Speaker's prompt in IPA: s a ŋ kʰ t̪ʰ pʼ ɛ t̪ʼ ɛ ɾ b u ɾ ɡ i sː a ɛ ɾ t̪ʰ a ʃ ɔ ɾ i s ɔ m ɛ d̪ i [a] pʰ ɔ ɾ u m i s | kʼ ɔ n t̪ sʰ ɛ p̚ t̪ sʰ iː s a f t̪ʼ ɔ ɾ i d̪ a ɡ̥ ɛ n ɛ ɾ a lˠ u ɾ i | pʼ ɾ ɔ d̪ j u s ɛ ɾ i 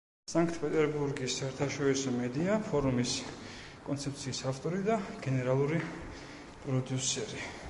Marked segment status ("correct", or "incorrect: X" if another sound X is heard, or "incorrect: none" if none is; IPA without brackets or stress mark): correct